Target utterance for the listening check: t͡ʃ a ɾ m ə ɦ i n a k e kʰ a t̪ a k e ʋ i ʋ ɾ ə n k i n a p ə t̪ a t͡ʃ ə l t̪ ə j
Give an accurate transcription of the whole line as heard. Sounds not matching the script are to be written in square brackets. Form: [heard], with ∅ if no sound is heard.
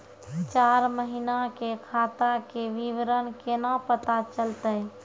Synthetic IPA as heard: t͡ʃ a ɾ m ə ɦ i n a k e kʰ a t̪ a k e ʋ i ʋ ɾ ə n k [e] n a p ə t̪ a t͡ʃ ə l t̪ ə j